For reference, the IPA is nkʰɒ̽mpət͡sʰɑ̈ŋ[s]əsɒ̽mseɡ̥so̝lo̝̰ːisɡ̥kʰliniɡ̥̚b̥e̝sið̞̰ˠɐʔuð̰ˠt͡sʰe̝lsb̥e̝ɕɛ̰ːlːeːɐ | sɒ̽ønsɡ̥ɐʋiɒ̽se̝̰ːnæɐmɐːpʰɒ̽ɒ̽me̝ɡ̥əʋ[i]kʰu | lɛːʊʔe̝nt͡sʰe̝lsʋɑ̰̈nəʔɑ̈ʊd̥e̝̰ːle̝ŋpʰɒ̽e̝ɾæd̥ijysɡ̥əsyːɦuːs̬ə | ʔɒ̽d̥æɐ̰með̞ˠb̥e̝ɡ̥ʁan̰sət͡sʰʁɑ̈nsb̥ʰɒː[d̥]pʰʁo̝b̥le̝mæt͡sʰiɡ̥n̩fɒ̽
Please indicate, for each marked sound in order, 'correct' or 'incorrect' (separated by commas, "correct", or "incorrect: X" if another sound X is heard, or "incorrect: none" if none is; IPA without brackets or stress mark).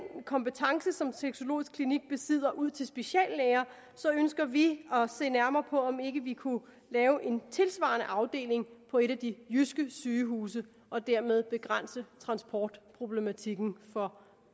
correct, correct, correct